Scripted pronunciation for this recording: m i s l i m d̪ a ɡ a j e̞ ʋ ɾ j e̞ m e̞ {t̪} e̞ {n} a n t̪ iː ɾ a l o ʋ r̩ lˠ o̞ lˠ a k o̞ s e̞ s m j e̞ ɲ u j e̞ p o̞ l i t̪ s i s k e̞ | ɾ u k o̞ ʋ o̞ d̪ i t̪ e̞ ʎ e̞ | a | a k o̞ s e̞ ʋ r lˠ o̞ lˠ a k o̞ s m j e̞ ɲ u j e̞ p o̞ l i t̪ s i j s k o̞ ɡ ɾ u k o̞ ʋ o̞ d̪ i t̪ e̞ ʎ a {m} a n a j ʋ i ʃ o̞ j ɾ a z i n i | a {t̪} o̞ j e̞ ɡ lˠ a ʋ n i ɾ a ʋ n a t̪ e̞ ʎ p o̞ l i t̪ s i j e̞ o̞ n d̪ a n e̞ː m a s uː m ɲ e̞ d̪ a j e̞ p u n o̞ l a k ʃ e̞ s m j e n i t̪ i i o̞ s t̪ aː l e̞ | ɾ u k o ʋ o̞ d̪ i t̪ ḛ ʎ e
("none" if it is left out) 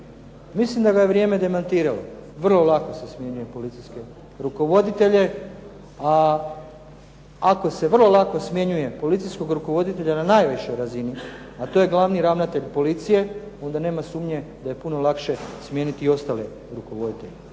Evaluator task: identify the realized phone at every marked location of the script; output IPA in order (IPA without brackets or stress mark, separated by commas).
d̪, m, n, t̪